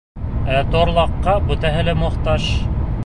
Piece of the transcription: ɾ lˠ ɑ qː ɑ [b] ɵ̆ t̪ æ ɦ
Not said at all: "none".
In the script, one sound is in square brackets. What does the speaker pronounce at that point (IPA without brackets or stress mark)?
b